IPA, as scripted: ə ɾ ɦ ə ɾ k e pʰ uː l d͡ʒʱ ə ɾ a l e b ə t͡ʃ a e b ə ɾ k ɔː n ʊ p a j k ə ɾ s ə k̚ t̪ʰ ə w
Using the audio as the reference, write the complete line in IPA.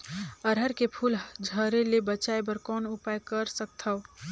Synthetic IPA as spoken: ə ɾ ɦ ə ɾ k e pʰ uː l d͡ʒʱ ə ɾ e l e b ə t͡ʃ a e b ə ɾ k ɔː n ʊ p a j k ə ɾ s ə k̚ t̪ʰ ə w